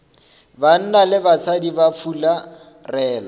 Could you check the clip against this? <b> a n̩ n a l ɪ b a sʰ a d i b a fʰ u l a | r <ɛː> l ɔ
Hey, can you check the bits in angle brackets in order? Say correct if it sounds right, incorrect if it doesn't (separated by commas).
correct, correct